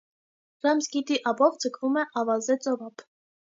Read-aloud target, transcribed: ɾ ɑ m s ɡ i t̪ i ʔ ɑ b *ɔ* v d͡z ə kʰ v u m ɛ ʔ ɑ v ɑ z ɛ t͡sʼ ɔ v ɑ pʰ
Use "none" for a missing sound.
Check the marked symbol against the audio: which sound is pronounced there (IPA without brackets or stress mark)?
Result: ɔ